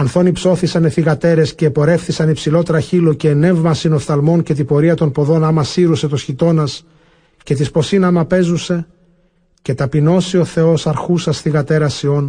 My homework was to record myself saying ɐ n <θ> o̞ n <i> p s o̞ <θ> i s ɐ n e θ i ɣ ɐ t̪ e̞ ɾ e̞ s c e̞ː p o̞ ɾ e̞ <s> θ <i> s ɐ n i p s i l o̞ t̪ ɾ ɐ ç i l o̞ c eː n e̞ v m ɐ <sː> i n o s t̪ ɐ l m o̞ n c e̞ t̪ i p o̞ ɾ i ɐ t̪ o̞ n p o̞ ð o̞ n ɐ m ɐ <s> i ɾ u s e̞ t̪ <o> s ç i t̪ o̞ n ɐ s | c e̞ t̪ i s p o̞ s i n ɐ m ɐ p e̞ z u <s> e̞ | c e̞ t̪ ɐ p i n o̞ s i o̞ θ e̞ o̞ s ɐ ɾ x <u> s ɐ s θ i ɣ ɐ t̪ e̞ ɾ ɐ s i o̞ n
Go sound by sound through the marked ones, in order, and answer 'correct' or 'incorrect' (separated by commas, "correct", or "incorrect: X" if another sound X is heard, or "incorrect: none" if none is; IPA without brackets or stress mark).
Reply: correct, correct, correct, incorrect: f, correct, incorrect: s, correct, correct, correct, correct